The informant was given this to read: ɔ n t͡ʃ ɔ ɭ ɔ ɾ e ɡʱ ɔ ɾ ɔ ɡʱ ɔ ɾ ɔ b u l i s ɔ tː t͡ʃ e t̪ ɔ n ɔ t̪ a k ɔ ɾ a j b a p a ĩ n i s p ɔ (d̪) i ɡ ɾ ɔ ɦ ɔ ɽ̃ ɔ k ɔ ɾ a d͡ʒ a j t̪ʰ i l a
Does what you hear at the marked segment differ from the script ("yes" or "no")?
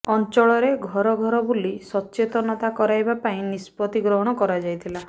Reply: yes